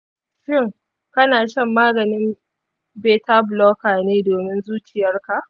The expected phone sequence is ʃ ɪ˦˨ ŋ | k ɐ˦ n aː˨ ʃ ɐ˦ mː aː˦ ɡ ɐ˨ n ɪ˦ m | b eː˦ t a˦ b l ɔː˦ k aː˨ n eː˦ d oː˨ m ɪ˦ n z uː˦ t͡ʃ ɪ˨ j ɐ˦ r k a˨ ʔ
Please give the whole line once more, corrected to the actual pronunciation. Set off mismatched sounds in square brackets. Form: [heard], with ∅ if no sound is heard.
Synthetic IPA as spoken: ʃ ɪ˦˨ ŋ | k ɐ˦ n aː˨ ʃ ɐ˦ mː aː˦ ɡ ɐ˨ n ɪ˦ m | b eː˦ t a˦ b l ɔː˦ k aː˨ n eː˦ d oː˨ m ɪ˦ n z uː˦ t͡ʃ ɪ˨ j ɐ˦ r k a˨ ʔ